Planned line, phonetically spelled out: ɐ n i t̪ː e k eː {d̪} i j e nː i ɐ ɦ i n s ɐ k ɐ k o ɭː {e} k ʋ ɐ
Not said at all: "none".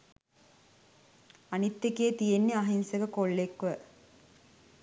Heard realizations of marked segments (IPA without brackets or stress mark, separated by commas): t̪, e